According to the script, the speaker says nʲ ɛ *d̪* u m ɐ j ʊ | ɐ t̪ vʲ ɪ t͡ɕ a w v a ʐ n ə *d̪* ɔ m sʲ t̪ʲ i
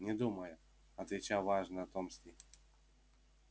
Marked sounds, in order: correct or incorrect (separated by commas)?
correct, incorrect